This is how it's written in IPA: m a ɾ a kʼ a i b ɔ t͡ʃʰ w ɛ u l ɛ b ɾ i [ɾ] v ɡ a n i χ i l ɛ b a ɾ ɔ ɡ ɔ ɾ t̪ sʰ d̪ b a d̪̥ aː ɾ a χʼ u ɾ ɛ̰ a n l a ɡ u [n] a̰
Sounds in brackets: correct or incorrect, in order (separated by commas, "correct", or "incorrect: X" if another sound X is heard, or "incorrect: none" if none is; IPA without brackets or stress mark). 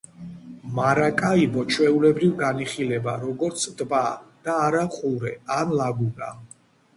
incorrect: none, correct